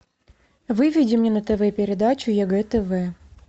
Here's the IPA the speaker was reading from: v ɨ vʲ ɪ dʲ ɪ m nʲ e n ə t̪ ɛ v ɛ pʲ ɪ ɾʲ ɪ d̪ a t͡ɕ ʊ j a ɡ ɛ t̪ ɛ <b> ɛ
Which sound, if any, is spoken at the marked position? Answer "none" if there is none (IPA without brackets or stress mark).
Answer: v